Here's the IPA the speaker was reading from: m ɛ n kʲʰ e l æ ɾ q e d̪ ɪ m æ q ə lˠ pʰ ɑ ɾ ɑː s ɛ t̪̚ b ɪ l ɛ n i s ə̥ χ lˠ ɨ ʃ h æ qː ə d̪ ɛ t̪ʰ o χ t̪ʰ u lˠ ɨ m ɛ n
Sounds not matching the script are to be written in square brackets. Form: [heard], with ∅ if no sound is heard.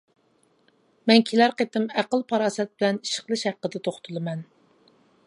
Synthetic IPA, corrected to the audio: m ɛ n kʲʰ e l æ ɾ q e [t̪] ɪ m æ q ə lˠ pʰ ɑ ɾ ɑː s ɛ t̪̚ b ɪ l ɛ n i [ʃ] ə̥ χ lˠ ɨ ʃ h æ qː ə d̪ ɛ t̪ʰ o χ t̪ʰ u lˠ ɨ m ɛ n

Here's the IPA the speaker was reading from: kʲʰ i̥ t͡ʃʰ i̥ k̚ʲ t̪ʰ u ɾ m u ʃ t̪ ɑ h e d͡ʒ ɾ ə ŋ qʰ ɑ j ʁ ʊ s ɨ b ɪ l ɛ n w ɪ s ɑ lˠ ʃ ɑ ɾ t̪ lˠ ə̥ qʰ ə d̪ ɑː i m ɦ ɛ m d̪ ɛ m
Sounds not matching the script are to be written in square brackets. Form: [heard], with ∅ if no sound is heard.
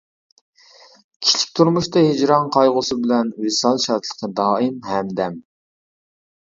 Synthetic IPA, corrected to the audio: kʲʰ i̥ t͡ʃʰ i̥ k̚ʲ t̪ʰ u ɾ m u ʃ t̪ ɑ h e d͡ʒ ɾ [ɑ] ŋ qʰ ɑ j ʁ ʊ s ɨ b ɪ l ɛ n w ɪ s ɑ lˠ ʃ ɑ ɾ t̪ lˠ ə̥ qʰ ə d̪ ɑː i m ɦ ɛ m d̪ ɛ m

